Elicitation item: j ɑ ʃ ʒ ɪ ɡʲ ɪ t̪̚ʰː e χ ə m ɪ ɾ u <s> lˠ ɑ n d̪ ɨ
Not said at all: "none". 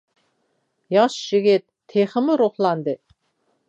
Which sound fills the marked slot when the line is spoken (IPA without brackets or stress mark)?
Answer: χ